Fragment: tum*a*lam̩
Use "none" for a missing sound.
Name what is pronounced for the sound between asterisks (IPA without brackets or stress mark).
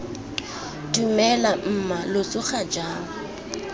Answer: ɛ